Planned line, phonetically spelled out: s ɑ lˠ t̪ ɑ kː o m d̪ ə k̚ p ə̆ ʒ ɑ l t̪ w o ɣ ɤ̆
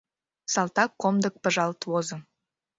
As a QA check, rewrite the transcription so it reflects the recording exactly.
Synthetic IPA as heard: s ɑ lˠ t̪ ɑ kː o m d̪ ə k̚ p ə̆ ʒ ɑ l t̪ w o z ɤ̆